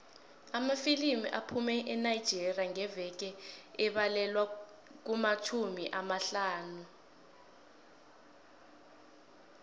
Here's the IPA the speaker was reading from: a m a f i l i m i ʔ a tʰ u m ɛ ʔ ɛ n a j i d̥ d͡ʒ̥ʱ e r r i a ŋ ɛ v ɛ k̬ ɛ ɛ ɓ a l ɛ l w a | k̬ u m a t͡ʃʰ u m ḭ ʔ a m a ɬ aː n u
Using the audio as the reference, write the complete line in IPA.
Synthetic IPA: a m a f i l i m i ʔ a pʰ u m ɛ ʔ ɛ n a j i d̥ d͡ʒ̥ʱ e r r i a ŋ ɛ v ɛ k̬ ɛ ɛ ɓ a l ɛ l w a | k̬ u m a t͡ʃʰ u m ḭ ʔ a m a ɬ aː n u